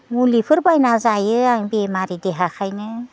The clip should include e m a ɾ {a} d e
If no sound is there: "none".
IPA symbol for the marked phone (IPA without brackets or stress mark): i